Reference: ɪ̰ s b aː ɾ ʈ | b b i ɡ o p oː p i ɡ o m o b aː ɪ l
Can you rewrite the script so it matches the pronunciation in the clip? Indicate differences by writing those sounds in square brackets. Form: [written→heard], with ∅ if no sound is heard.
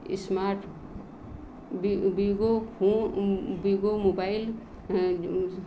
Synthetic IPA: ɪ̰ s [b→m] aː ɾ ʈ | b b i ɡ o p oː [p→b] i ɡ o m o b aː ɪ l